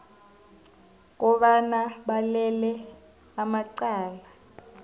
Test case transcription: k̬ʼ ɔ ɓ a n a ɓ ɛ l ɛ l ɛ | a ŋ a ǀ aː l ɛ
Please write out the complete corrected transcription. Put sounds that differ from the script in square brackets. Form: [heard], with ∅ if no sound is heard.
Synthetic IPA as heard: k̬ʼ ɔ ɓ a n a ɓ [a] l ɛ l ɛ | a [m] a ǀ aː l [a]